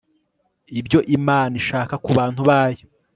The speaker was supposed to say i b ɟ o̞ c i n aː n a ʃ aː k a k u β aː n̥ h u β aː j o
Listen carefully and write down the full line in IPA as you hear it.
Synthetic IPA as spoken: i b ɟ o̞ ʔ i m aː n i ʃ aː k a k u β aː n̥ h u β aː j o